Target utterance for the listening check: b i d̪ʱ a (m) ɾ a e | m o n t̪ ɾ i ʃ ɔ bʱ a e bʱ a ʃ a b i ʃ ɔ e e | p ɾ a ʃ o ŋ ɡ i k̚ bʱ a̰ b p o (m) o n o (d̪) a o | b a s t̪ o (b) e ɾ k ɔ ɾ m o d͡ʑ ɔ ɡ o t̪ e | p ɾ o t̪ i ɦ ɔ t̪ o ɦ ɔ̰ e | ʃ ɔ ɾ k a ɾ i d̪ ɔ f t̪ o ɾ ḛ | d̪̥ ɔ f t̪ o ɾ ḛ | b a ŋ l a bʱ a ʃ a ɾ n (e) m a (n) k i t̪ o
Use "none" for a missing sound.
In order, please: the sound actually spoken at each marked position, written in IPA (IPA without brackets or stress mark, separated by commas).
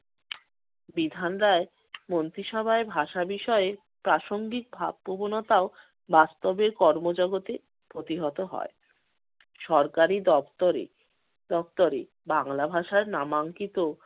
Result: n, b, t̪, b, a, ŋ